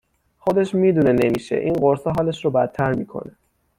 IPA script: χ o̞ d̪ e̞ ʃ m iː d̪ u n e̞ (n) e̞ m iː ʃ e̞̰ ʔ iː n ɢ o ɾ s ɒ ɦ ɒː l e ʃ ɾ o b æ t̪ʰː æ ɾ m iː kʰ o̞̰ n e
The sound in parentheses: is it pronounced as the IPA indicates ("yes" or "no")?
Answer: yes